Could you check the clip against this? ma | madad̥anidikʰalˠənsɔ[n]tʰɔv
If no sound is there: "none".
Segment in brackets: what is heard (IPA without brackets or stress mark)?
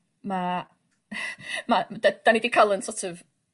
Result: none